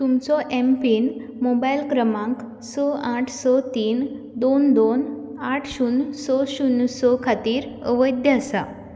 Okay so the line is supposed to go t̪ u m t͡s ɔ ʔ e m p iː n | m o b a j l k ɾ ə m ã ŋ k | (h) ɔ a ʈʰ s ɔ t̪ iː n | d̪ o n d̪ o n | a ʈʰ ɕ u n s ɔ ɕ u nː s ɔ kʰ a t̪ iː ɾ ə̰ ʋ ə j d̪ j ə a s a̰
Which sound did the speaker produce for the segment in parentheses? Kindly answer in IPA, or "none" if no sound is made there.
s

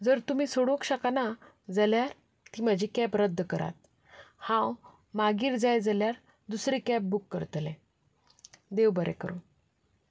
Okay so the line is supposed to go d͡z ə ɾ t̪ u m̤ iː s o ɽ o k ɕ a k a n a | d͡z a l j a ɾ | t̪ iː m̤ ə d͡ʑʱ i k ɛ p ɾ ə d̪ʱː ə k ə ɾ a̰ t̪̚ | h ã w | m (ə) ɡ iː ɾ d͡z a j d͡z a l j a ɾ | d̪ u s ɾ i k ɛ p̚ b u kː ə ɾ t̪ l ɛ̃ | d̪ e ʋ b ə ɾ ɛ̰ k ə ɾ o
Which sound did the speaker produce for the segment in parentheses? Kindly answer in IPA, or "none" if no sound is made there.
a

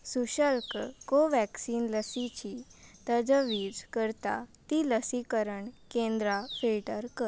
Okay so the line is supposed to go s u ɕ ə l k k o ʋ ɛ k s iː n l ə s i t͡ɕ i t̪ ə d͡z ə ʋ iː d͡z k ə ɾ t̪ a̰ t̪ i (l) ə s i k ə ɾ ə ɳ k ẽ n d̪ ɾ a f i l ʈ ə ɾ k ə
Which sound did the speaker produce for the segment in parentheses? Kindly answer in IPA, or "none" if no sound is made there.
l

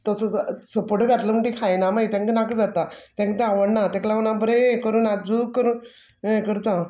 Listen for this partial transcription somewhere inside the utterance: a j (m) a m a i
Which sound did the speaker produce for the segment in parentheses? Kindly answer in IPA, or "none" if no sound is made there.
n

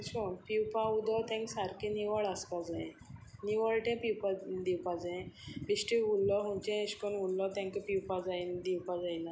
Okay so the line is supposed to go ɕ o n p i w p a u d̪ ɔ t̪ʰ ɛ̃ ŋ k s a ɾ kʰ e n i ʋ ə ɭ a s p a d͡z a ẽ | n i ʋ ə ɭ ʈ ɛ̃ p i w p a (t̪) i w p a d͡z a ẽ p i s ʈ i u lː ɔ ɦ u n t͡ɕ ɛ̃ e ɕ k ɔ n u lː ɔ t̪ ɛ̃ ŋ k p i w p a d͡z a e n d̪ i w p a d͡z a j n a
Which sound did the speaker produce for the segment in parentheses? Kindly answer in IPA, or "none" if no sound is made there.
d̪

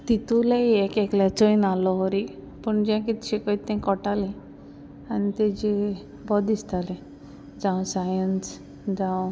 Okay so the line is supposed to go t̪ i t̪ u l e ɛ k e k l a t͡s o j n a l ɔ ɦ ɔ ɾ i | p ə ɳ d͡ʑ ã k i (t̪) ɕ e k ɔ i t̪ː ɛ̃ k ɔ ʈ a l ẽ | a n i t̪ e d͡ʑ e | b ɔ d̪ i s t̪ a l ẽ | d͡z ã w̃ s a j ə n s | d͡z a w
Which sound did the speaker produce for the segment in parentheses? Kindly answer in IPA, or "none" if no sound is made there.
t̪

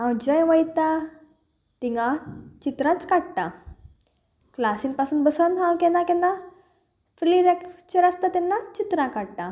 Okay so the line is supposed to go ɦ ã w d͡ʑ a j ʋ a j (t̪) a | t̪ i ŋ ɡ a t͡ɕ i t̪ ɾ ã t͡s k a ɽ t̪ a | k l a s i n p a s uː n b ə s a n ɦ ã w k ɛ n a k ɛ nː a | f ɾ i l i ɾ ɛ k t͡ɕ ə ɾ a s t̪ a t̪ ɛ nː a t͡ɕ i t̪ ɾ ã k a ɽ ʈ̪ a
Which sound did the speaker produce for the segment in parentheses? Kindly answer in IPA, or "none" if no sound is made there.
t̪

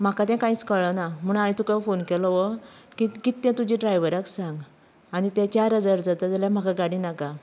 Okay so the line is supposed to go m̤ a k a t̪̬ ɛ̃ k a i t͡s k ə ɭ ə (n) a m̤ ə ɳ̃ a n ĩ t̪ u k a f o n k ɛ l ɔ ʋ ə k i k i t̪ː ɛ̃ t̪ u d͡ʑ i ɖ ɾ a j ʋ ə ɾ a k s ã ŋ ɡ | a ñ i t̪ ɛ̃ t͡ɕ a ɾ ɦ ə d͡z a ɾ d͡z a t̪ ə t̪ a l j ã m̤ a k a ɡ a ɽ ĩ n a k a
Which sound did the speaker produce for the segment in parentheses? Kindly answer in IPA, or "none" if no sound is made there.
n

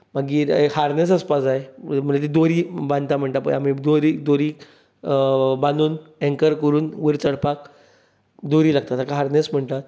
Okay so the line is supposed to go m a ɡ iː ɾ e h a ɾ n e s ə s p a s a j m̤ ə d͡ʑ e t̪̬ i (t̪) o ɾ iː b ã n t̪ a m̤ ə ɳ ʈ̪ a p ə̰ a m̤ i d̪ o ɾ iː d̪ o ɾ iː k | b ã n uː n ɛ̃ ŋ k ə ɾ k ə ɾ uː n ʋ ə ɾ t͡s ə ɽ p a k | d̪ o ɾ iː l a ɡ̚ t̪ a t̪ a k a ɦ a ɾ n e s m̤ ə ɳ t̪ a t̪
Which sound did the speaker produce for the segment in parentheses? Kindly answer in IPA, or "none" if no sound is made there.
d̪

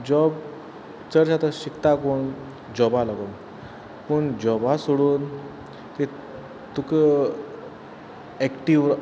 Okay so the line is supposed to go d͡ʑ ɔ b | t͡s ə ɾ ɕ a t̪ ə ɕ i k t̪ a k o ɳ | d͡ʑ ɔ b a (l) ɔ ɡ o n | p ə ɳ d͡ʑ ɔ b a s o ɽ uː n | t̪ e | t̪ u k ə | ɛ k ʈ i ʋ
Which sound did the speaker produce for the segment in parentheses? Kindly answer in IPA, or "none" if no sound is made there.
l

